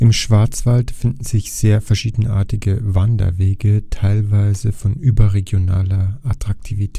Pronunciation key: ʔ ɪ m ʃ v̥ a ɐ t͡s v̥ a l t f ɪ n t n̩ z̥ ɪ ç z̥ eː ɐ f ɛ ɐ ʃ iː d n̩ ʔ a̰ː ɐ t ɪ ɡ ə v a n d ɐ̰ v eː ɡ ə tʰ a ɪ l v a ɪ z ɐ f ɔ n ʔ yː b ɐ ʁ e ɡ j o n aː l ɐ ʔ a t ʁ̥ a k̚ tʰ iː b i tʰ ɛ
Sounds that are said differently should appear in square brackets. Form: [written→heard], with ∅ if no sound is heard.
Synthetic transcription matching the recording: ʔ ɪ m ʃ v̥ a ɐ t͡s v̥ a l t f ɪ n [t→d] n̩ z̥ ɪ ç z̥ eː ɐ f ɛ ɐ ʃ iː d n̩ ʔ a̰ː ɐ t ɪ ɡ ə v a n d ɐ̰ v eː ɡ ə tʰ a ɪ l v a ɪ z [ɐ→ə] f ɔ n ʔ yː b ɐ ʁ e ɡ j o n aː l ɐ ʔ a t ʁ̥ a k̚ tʰ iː [b→v] i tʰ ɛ